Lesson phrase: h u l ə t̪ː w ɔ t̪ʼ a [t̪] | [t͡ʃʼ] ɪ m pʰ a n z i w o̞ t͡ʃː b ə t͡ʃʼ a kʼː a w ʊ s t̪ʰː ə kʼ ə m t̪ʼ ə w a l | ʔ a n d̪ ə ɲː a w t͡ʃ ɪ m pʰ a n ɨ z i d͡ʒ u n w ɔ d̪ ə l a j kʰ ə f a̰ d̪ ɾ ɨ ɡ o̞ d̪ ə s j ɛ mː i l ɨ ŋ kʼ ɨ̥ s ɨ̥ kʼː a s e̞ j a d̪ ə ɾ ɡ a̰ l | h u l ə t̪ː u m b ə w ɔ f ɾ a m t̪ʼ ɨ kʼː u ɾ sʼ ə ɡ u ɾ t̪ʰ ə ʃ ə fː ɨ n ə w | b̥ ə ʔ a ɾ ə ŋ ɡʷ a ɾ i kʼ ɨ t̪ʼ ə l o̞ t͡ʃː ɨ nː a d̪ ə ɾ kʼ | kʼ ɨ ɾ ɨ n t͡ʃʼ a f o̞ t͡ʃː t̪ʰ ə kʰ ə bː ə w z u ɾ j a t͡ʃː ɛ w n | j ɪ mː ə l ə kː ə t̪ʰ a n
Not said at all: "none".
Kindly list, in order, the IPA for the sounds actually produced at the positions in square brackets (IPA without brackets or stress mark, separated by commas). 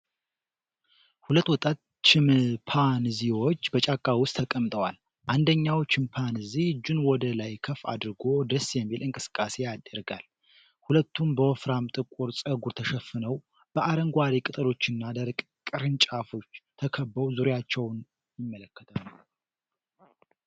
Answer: t̪, t͡ʃ